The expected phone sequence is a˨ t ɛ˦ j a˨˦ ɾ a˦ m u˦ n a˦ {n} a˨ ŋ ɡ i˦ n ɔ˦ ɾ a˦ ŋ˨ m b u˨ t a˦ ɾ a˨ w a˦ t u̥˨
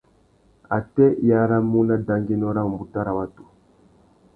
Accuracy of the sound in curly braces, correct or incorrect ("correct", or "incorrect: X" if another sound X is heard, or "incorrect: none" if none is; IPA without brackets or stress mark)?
incorrect: d